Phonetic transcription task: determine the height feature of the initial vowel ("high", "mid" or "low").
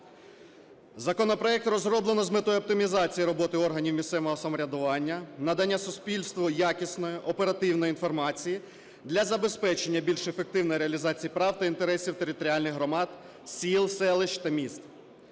low